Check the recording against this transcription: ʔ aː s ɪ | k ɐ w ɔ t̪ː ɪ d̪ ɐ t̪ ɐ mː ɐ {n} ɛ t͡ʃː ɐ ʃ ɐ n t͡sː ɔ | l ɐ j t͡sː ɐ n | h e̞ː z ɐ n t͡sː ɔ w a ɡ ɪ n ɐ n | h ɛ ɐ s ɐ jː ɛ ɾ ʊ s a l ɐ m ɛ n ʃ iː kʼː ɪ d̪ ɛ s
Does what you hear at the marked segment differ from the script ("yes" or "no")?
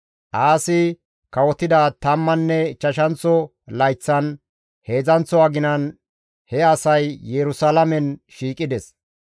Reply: yes